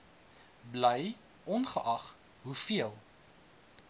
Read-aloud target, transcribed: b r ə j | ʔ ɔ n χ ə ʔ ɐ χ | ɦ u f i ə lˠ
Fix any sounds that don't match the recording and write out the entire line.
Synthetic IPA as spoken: b l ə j | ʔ ɔ n χ ə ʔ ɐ χ | ɦ u f i ə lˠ